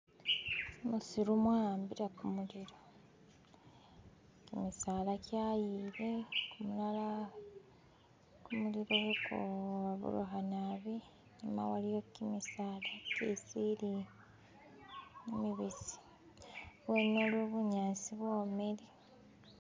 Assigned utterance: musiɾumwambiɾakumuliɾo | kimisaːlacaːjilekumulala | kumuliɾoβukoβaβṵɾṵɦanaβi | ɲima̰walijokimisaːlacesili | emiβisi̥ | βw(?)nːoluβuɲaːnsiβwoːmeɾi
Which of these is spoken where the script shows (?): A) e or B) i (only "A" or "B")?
A